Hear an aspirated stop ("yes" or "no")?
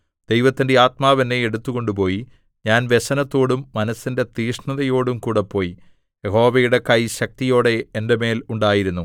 no